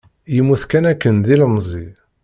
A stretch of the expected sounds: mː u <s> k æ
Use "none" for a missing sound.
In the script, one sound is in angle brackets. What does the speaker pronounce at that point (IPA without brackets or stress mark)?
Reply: θ